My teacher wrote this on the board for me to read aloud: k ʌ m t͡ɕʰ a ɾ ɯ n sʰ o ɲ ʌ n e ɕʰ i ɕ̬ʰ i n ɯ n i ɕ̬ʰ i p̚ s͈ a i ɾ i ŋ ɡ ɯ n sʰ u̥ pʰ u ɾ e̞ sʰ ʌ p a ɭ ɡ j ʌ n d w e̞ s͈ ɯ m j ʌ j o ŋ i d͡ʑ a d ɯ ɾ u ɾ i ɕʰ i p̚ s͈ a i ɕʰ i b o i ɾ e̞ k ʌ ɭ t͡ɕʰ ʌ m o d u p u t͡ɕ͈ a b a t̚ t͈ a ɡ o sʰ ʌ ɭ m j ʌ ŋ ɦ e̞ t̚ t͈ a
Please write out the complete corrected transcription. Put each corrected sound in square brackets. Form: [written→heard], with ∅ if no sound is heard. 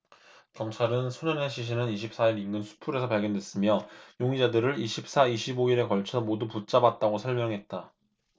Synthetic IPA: k ʌ m t͡ɕʰ a ɾ ɯ n sʰ o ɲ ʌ n e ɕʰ i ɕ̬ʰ i n ɯ n i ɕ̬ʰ i p̚ s͈ a i ɾ i ŋ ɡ ɯ n sʰ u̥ pʰ u ɾ e̞ sʰ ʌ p a ɭ ɡ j ʌ n d w e̞ s͈ ɯ m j ʌ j o ŋ i d͡ʑ a d ɯ ɾ [u→ɯ] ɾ i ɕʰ i p̚ s͈ a i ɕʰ i b o i ɾ e̞ k ʌ ɭ t͡ɕʰ ʌ m o d u p u t͡ɕ͈ a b a t̚ t͈ a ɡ o sʰ ʌ ɭ m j ʌ ŋ ɦ e̞ t̚ t͈ a